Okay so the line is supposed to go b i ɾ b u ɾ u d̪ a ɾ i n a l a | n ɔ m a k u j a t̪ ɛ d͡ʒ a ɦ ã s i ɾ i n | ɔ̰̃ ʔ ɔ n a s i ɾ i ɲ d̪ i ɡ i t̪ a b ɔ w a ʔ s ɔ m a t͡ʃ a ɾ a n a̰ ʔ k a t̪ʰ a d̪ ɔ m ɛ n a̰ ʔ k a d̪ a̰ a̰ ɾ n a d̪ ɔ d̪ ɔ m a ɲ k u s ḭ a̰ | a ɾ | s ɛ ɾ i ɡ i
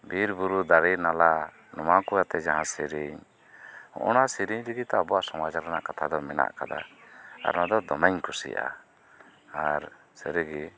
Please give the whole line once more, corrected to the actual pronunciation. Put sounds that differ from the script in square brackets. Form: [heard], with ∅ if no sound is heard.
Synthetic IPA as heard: b i ɾ b u ɾ u d̪ a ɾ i n a l a | n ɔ m a k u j a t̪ ɛ d͡ʒ a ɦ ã s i ɾ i [ɲ] | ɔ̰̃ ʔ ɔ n a s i ɾ i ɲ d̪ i ɡ i t̪ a b ɔ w a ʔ s ɔ m a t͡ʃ a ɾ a n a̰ ʔ k a t̪ʰ a d̪ ɔ m ɛ n a̰ ʔ k a d̪ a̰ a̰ ɾ n a d̪ ɔ d̪ ɔ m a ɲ k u s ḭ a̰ | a ɾ | s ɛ ɾ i ɡ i